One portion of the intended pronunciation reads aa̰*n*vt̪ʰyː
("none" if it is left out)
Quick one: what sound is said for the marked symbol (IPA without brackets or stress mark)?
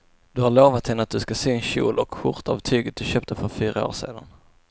none